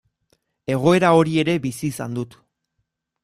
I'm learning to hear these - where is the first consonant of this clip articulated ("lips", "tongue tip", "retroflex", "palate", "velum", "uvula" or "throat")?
velum